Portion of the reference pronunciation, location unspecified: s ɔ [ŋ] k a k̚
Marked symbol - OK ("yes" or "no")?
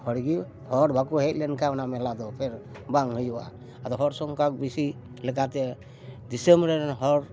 yes